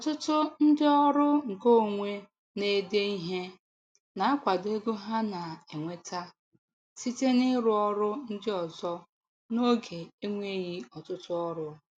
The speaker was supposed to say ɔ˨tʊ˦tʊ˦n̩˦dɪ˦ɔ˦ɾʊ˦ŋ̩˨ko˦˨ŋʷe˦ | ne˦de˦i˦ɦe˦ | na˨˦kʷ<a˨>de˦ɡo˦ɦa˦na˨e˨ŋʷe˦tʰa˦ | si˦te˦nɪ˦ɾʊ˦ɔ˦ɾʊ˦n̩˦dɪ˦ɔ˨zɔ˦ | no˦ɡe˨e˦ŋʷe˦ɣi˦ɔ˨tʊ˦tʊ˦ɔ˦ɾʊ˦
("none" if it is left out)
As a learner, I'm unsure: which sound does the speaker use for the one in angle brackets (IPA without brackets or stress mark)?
a˨